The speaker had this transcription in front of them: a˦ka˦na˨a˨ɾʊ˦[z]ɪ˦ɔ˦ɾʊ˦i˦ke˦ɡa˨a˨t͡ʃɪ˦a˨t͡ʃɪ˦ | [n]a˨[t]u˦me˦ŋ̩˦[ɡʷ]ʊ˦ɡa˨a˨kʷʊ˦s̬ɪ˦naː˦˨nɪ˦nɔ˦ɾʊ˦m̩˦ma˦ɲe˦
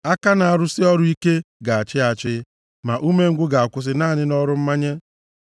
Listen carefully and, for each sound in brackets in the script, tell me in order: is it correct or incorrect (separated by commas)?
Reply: incorrect, incorrect, incorrect, correct